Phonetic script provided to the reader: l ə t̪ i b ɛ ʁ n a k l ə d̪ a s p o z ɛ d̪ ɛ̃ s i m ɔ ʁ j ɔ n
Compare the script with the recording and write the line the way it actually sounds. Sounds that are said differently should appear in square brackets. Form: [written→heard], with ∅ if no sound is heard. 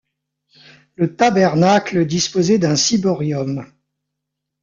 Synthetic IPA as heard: l ə t̪ [i→a] b ɛ ʁ n a k l ə d̪ [a→i] s p o z ɛ d̪ ɛ̃ s i [m→b] ɔ ʁ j ɔ [n→m]